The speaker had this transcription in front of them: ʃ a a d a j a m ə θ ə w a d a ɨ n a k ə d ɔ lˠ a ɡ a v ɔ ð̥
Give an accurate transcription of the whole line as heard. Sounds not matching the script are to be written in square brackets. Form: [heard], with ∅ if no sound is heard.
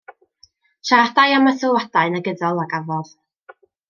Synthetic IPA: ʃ a a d a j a m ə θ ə w a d a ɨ n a [ɡ] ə d ɔ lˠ a ɡ a v ɔ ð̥